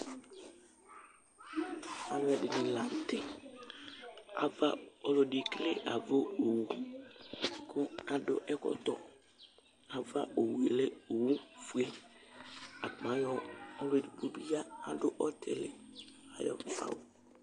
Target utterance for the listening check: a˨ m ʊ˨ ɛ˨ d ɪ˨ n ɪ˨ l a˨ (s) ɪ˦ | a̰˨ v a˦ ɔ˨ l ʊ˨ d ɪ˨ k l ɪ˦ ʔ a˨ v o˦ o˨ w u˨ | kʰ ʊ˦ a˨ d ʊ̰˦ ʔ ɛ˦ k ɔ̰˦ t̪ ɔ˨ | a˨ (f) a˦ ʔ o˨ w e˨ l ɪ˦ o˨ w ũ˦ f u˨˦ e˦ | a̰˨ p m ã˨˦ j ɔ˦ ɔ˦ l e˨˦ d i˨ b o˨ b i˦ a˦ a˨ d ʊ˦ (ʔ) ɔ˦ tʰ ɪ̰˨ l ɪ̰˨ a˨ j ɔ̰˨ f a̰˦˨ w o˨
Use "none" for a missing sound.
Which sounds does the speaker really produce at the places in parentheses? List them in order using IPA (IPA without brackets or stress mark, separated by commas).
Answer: t, v, ʔ